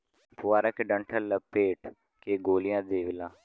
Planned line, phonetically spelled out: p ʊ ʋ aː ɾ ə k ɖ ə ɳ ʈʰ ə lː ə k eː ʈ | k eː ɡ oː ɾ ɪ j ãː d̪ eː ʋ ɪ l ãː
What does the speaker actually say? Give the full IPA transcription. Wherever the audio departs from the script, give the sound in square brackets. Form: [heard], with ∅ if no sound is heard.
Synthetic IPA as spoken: p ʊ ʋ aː ɾ ə k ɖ ə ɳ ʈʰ ə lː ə [p] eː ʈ | k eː ɡ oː [l] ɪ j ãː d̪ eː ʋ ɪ l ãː